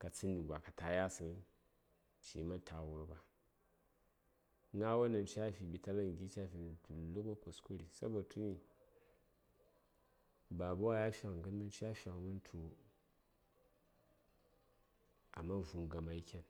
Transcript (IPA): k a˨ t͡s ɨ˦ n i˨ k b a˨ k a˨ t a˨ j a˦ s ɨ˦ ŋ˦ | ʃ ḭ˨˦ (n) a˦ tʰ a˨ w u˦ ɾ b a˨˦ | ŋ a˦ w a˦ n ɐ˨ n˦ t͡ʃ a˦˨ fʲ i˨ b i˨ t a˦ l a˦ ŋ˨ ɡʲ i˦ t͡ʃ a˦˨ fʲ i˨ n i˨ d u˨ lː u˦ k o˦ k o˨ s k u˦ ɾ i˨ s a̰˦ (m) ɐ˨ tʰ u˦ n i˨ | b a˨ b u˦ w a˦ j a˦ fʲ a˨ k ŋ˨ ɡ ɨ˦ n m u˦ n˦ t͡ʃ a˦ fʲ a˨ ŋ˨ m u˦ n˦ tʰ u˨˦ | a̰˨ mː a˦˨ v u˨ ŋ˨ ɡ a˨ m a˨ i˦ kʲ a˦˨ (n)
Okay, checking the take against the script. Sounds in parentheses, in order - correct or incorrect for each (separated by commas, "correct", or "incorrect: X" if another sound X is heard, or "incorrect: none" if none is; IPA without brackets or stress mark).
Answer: incorrect: m, incorrect: b, correct